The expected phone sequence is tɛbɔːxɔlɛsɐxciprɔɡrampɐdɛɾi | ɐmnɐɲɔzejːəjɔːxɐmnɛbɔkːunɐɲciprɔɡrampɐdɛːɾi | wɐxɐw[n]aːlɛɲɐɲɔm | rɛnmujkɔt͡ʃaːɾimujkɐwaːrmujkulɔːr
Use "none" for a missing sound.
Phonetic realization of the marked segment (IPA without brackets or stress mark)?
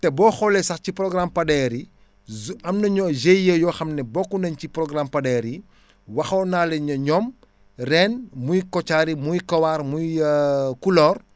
n